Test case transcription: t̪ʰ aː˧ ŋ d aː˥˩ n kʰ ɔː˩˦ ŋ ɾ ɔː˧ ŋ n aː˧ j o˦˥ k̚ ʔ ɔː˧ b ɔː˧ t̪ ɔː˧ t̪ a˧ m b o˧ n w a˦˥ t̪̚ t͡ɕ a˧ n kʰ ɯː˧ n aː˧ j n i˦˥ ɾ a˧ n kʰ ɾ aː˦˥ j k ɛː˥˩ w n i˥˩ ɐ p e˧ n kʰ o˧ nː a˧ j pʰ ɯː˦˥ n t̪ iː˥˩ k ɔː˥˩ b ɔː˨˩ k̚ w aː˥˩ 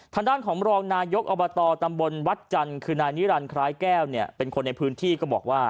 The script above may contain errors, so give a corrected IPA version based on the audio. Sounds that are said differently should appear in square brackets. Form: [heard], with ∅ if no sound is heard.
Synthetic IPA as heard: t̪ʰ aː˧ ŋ d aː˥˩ n kʰ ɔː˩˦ ŋ ɾ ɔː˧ ŋ n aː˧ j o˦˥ k̚ ʔ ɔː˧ b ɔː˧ t̪ ɔː˧ t̪ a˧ m b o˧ n w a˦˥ t̪̚ t͡ɕ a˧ n kʰ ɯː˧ n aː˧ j n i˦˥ ɾ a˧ n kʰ ɾ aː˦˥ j k ɛː˥˩ w n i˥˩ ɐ p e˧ n kʰ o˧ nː a˧ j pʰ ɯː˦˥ n [t̪ʰ] iː˥˩ k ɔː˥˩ b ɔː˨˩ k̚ w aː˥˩